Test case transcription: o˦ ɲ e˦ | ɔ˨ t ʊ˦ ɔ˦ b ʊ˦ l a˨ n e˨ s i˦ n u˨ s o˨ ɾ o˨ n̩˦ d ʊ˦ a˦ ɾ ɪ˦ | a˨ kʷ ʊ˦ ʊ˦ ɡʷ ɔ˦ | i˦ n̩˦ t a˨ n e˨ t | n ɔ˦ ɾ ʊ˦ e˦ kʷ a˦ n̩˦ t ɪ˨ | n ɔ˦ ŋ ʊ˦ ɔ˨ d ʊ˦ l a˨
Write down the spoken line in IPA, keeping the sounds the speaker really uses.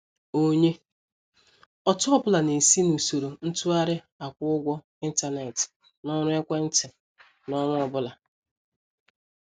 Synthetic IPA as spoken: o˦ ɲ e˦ | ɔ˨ t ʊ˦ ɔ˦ b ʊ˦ l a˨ n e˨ s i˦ n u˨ s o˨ ɾ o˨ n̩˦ t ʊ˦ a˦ ɾ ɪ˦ | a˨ kʷ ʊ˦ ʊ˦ ɡʷ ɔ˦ | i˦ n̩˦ t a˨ n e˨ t | n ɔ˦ ɾ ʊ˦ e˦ kʷ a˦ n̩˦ t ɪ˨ | n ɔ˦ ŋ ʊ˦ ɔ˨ b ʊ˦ l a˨